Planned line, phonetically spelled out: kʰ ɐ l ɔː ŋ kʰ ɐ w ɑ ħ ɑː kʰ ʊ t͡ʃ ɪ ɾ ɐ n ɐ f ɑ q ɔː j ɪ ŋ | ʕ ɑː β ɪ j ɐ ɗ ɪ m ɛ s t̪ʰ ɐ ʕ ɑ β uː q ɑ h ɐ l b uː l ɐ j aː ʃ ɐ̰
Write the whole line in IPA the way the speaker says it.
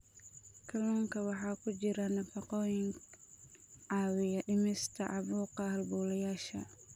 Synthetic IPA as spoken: kʰ ɐ l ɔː ŋ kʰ ɐ w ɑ ħ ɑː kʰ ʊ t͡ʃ ɪ ɾ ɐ n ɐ f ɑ q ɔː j ɪ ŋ | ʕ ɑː w ɪ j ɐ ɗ ɪ m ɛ s t̪ʰ ɐ ʕ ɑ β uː q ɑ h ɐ l b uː l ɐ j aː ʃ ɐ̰